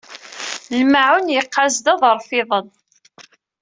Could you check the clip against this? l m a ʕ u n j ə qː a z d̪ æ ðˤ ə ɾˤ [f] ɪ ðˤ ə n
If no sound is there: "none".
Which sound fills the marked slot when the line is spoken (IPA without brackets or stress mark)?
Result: f